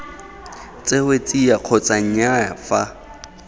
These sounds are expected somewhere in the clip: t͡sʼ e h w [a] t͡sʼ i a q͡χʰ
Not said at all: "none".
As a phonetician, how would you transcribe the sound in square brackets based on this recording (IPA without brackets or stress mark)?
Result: e